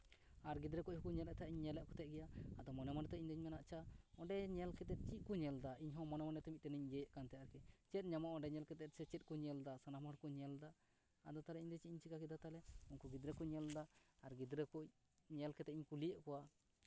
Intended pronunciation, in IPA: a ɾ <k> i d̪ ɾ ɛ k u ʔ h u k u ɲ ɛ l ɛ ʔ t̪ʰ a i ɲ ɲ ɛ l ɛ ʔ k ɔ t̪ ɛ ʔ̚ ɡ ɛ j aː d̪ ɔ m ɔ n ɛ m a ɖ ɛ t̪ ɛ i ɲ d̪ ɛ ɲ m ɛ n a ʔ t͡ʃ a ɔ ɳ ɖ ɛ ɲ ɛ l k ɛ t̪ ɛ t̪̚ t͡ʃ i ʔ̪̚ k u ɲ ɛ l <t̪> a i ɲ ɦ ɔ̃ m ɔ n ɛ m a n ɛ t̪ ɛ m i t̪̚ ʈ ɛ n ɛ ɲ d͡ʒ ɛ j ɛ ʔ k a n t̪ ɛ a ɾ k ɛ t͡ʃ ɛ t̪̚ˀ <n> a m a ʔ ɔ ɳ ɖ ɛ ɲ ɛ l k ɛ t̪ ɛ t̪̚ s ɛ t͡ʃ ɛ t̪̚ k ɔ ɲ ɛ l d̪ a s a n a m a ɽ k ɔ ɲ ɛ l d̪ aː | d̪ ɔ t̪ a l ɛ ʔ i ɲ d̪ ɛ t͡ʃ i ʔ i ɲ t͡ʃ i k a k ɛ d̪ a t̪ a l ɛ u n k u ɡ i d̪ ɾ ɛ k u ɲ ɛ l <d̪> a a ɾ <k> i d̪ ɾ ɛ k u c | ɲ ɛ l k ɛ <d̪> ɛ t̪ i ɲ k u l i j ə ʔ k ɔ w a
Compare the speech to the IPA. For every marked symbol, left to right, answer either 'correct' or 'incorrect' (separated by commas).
incorrect, incorrect, incorrect, correct, incorrect, incorrect